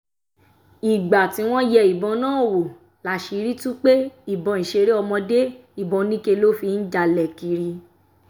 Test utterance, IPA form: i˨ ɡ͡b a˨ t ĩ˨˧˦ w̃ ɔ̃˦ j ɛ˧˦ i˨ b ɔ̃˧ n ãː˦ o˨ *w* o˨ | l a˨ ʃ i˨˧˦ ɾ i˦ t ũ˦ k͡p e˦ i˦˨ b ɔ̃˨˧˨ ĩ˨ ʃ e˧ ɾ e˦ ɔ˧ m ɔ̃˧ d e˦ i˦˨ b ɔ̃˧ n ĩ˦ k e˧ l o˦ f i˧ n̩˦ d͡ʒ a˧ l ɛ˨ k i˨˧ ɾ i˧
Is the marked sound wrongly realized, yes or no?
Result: no